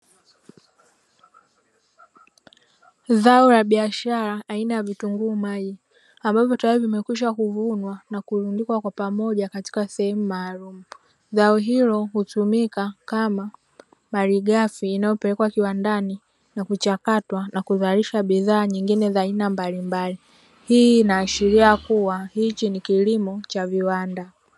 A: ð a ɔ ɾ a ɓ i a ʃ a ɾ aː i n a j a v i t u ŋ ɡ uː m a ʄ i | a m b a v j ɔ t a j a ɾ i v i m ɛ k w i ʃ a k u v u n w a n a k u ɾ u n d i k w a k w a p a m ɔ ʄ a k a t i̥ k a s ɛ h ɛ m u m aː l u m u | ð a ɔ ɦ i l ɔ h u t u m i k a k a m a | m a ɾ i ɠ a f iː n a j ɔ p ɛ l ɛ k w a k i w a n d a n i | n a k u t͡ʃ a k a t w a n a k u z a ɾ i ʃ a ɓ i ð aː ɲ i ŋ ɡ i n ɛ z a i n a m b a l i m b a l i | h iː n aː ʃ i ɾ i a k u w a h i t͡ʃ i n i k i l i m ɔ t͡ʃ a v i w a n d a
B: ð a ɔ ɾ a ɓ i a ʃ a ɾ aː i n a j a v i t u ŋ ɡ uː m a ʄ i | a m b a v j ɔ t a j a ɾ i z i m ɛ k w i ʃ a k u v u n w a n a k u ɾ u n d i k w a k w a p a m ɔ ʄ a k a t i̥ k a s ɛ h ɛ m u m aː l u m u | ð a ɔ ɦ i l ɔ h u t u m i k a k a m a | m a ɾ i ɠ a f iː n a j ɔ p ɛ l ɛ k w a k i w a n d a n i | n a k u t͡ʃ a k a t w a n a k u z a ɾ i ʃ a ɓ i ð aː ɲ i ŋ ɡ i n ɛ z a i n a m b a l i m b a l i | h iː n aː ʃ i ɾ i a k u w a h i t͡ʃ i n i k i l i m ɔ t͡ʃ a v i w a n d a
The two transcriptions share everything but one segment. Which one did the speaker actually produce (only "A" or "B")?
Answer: A